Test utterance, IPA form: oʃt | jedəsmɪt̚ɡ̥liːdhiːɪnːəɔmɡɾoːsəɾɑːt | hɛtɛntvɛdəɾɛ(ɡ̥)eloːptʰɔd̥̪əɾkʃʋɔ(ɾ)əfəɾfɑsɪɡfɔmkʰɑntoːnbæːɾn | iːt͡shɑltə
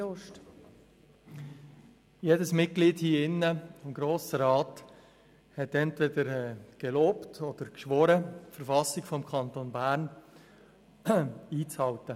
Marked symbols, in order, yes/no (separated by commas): yes, yes